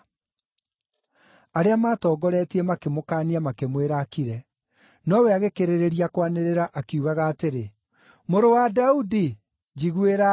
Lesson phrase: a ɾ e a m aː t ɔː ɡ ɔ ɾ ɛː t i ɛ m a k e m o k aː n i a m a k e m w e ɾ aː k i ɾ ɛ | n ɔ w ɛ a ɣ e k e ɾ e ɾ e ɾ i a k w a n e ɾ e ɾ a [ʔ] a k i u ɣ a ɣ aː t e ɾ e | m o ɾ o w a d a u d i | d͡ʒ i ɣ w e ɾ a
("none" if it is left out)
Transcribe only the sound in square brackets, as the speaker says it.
ʔ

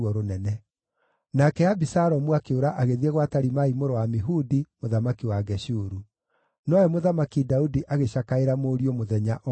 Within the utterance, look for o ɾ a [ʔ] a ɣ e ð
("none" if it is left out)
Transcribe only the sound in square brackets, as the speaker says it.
ʔ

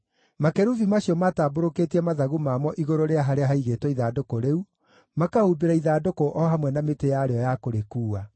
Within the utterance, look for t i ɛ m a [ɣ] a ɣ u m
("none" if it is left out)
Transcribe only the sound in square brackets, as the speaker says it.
ð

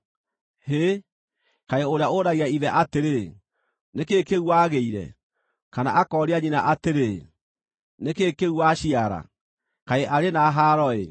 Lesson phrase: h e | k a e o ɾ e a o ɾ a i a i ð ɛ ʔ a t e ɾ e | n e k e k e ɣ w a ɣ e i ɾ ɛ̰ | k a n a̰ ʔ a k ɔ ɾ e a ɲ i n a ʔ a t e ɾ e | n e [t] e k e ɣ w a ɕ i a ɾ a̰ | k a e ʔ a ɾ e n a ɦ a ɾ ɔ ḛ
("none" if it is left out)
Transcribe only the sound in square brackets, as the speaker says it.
k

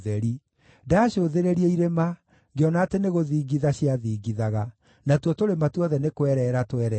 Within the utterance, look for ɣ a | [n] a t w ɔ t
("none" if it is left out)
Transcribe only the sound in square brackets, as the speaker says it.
n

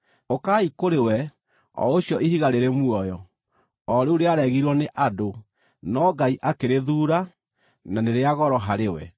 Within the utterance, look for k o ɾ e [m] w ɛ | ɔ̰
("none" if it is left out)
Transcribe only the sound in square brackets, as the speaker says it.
none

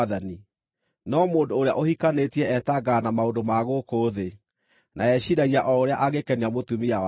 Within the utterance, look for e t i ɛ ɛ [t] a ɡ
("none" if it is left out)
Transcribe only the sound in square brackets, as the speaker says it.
t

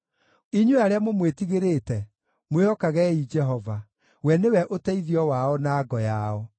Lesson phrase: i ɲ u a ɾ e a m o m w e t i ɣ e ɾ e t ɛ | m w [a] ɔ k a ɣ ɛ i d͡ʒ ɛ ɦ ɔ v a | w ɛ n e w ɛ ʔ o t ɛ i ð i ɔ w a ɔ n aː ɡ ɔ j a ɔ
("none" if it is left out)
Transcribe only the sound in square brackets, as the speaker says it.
e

